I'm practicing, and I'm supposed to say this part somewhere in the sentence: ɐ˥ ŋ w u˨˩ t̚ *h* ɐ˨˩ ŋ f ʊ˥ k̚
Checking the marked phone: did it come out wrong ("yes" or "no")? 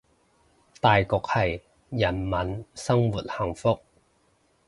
no